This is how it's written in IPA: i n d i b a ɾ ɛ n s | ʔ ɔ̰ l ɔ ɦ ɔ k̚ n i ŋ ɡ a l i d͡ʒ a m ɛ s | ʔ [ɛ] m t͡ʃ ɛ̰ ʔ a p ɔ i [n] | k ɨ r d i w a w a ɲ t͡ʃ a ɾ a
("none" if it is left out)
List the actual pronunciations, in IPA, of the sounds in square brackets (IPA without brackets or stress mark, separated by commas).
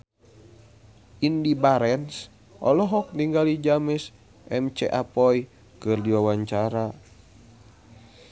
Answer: ɛ, none